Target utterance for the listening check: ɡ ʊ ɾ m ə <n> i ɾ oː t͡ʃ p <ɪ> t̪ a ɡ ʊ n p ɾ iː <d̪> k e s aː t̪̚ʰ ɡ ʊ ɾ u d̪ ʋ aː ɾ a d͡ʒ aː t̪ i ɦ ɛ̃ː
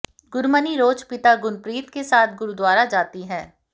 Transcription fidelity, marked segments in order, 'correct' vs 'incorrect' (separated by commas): correct, correct, incorrect